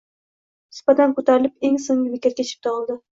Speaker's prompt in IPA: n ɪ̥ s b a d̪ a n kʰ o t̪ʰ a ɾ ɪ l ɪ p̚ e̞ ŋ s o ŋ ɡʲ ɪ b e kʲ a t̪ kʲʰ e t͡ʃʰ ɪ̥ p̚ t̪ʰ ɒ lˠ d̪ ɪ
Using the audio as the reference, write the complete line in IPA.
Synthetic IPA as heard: n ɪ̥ s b a t̪ a n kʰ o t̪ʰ a ɾ ɪ l ɪ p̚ e̞ ŋ s o ŋ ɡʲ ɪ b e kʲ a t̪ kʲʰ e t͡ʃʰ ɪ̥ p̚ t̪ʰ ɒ lˠ d̪ ɪ

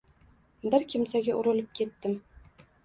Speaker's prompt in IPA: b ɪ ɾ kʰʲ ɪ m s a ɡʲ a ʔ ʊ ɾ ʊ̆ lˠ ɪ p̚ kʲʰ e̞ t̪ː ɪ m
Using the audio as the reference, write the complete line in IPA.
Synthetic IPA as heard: b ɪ ɾ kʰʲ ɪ m s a ɡʲ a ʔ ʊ ɾ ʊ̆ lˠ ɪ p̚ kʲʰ e̞ t̪ː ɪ m

